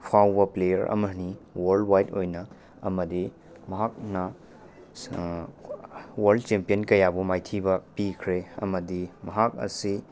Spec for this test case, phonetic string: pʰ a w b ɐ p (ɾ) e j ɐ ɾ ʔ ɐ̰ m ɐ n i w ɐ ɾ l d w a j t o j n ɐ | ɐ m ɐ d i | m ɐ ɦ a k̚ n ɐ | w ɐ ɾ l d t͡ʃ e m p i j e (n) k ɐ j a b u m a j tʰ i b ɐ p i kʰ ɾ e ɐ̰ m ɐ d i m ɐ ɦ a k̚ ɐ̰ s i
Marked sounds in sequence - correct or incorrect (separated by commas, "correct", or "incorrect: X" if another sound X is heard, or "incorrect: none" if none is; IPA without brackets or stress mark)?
incorrect: l, correct